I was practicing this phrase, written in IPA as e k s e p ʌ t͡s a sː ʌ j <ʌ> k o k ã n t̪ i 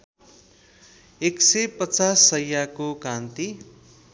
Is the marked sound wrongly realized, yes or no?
yes